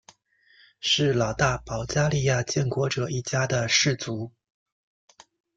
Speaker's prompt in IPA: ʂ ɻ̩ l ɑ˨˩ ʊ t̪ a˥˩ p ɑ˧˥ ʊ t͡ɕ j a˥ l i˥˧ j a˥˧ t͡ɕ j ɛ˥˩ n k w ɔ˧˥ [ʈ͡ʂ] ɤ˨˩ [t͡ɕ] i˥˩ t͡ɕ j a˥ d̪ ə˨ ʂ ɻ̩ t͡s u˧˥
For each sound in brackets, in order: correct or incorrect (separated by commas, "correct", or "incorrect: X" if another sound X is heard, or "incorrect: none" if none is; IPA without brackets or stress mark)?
correct, incorrect: none